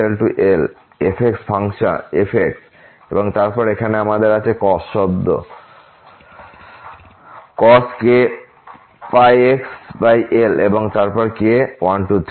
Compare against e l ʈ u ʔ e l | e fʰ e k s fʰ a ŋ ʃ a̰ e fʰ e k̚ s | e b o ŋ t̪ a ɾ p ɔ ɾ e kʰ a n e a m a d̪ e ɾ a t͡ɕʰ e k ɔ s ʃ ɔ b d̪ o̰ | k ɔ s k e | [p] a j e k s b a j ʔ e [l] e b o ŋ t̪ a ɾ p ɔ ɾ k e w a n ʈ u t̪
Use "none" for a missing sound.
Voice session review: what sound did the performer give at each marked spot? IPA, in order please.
p, l

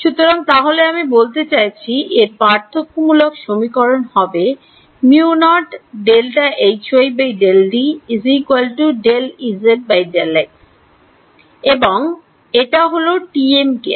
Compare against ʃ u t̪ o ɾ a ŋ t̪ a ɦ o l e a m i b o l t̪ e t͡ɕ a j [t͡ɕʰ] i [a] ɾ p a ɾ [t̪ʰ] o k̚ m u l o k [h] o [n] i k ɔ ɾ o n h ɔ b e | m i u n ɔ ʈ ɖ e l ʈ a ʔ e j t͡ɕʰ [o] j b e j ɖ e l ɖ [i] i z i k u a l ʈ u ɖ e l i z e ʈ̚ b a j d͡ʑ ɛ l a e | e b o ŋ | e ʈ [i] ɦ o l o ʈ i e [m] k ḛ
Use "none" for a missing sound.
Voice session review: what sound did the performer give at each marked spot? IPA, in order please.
t͡ɕʰ, e, t̪ʰ, ʃ, m, o, i, a, m

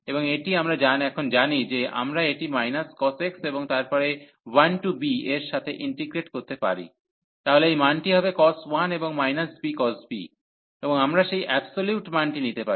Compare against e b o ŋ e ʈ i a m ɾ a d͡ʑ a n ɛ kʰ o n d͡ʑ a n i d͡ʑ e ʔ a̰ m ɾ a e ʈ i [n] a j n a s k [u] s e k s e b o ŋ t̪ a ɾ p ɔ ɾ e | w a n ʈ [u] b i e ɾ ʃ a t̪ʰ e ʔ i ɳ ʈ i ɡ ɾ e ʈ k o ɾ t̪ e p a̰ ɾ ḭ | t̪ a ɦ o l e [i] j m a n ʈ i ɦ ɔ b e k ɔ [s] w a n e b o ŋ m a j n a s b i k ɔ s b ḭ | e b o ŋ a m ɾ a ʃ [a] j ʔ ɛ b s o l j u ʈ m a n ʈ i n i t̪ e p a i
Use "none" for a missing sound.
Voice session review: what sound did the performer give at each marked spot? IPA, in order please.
m, ɔ, u, e, s, e

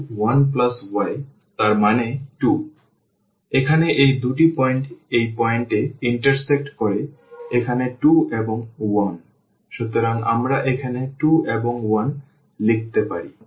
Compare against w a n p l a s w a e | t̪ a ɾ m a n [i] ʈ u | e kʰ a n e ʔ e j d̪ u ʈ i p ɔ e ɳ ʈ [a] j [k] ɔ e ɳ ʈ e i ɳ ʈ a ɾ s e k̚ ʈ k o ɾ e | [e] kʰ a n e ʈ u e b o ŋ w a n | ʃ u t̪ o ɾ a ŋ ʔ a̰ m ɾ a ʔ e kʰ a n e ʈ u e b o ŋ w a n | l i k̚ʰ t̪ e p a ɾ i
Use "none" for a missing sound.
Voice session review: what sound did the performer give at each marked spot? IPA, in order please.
e, e, p, e

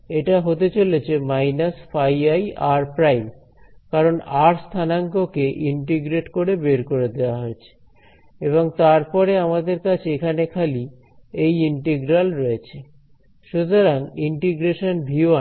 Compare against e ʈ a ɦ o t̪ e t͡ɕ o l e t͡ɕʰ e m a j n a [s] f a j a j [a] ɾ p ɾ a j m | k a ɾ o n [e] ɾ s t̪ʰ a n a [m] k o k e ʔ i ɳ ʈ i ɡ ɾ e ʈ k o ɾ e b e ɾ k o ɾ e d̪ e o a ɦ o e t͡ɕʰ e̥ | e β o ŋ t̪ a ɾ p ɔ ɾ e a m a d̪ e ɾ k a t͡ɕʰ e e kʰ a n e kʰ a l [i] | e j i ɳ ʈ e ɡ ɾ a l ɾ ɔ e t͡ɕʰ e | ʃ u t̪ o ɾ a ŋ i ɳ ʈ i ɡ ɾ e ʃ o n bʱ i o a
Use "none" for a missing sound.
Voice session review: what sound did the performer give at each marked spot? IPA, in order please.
s, a, a, ŋ, i

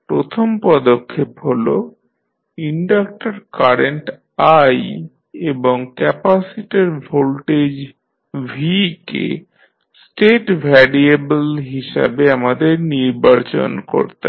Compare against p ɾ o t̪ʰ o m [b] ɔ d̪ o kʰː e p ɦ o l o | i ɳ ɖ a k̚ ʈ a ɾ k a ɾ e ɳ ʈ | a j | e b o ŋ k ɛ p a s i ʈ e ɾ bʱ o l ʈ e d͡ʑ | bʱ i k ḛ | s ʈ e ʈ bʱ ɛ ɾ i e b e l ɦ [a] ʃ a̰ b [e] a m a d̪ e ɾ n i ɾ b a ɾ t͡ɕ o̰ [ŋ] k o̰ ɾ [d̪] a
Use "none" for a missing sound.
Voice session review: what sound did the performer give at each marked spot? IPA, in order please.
p, i, e, n, t̪

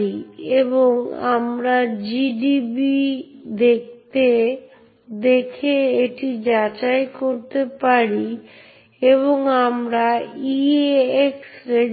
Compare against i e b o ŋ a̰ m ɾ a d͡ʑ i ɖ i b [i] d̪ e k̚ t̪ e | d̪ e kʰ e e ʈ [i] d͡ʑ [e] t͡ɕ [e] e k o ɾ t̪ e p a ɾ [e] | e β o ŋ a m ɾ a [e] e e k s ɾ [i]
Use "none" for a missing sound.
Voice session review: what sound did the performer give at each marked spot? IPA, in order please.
i, i, a, a, i, i, e

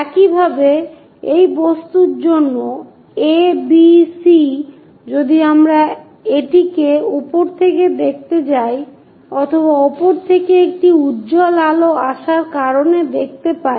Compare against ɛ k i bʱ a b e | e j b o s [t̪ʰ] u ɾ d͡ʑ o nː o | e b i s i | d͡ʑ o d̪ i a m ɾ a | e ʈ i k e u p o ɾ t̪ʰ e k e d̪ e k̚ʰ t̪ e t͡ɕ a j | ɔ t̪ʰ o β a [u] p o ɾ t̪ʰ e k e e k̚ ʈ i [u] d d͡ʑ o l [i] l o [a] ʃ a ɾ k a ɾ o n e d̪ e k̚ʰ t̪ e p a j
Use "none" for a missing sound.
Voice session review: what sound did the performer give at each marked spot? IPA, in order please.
t̪, ɔ, u, a, a

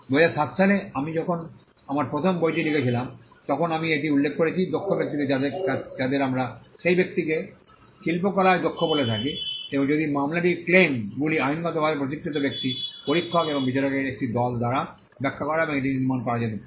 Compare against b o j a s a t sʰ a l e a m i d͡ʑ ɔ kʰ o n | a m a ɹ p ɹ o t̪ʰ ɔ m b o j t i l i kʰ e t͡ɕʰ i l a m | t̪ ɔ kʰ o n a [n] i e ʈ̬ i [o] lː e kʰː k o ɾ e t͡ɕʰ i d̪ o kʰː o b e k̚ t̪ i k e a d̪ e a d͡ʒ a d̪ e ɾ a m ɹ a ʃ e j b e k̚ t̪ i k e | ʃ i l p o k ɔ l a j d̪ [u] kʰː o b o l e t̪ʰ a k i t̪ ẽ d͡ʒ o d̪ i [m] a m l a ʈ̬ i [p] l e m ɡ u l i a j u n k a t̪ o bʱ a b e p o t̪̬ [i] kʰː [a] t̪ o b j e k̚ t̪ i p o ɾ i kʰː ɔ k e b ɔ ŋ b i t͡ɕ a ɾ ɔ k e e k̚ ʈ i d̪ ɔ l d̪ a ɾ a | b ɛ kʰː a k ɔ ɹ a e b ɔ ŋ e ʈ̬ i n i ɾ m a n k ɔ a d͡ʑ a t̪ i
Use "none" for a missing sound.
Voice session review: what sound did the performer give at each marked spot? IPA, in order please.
m, u, o, m, k, i, i

